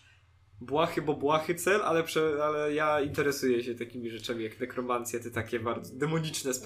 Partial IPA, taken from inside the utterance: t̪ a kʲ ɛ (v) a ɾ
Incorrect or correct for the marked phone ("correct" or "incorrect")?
incorrect